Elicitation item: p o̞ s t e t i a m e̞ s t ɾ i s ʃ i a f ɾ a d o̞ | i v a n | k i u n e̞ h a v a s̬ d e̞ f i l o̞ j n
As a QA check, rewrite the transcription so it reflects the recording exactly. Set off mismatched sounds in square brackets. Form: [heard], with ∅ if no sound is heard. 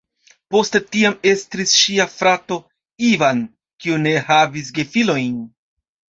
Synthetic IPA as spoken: p o̞ s t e t i a m e̞ s t ɾ i s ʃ i a f ɾ a [t] o̞ | i v a n | k i u n e̞ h a v [i] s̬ [ɡ] e̞ f i l o̞ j n